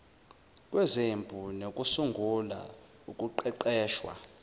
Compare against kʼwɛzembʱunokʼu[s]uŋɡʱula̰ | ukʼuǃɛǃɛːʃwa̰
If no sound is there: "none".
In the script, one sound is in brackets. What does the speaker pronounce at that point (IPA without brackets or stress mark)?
s